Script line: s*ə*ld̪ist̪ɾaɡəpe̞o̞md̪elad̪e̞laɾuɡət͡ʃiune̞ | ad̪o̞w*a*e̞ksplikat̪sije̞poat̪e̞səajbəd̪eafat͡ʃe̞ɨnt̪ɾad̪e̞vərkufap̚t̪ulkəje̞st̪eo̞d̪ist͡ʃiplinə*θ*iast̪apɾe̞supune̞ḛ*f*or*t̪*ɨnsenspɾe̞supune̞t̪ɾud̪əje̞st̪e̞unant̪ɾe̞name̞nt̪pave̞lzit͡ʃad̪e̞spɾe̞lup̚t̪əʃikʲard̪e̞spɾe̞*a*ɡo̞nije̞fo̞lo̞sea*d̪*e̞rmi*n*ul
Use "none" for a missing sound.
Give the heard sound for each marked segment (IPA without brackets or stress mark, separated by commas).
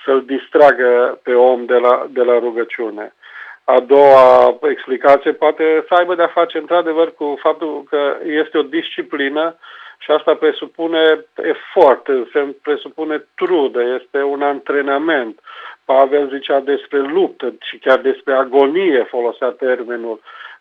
ə, a, ʃ, f, t̪, a, t̪, n